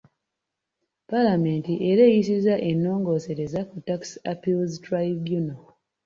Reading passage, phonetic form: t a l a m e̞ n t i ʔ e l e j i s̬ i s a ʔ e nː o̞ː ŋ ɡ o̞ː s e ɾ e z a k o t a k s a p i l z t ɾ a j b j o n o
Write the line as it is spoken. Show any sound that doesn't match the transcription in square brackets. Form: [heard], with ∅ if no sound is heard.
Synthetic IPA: [p] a l a m e̞ n t i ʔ e [ɾ] e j i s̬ i [z] a ʔ e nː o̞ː ŋ ɡ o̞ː s e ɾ e z a k [u] t a k s a p i l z t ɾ a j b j [u] n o